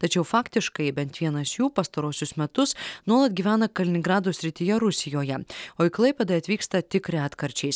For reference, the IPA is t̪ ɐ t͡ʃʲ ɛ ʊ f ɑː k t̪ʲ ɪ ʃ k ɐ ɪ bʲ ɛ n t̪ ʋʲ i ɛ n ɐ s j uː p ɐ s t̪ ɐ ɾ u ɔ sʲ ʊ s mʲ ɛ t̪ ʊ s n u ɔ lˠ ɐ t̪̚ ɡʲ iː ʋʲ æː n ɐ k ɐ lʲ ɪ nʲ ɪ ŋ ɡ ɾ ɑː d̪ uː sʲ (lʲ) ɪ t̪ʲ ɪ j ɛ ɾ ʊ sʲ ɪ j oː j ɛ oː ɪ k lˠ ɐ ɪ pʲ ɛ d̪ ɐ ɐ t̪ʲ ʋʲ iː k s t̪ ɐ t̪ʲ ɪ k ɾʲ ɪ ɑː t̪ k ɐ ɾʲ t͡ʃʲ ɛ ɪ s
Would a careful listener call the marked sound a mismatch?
yes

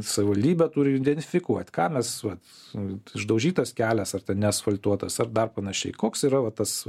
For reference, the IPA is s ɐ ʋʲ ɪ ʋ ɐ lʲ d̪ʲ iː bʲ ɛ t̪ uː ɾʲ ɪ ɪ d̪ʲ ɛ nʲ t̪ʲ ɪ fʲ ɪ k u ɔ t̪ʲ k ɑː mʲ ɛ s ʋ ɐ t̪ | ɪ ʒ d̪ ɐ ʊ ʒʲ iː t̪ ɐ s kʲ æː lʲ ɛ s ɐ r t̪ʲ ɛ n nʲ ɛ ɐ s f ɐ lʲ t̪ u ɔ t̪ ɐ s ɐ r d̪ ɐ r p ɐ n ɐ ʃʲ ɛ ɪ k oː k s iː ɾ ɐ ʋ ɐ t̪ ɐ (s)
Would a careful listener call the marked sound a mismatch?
no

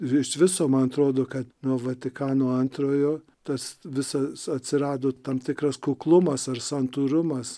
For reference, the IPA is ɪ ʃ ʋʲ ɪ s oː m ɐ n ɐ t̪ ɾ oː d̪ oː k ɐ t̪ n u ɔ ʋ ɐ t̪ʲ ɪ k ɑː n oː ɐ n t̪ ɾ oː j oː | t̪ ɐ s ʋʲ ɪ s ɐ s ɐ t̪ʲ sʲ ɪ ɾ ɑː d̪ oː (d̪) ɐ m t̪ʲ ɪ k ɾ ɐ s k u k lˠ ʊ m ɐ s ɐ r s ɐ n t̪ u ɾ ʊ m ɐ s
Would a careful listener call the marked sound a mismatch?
yes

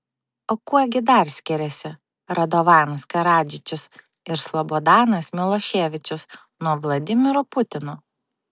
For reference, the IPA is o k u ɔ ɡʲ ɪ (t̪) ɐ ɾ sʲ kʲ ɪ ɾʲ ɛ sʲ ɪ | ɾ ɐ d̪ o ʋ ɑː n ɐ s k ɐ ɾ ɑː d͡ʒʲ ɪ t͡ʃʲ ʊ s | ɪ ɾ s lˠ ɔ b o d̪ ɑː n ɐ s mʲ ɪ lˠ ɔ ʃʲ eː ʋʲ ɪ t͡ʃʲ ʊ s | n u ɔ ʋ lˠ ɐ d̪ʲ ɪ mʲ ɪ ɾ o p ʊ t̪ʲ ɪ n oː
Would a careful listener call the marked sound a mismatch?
yes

